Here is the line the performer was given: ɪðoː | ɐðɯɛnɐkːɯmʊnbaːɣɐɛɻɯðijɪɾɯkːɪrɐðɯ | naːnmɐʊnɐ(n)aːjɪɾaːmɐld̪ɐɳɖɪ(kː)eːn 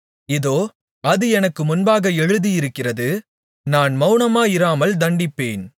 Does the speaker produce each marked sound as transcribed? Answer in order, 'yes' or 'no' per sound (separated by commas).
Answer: no, no